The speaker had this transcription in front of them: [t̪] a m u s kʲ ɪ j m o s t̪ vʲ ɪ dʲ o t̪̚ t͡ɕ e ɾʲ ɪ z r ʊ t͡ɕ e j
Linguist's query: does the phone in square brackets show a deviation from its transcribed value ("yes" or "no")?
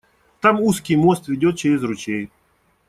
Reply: no